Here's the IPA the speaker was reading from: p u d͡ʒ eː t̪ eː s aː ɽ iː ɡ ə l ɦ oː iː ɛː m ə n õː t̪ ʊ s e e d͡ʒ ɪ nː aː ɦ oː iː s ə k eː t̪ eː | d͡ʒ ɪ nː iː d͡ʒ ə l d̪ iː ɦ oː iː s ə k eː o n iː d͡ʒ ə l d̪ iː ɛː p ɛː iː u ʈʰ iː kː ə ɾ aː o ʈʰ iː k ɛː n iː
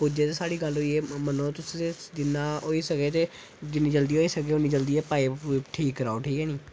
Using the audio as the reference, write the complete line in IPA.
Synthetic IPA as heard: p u d͡ʒ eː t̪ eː s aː ɽ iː ɡ ə l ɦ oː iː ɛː m ə n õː t̪ ʊ s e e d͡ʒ ɪ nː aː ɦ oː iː s ə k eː t̪ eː | d͡ʒ ɪ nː iː d͡ʒ ə l d̪ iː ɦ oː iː s ə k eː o n iː d͡ʒ ə l d̪ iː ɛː p aː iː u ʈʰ iː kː ə ɾ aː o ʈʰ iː k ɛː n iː